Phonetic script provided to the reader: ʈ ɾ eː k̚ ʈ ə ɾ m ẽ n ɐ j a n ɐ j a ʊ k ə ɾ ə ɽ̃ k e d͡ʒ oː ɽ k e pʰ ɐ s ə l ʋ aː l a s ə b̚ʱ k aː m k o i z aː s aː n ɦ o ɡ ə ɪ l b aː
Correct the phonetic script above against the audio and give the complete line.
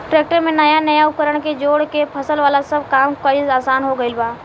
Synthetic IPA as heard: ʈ ɾ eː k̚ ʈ ə ɾ m ẽ n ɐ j a n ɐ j a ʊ k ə ɾ ə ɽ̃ k e d͡ʒ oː ɽ k e pʰ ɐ s ə l ʋ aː l a s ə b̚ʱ k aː m k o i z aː s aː n ɦ o ɡ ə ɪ l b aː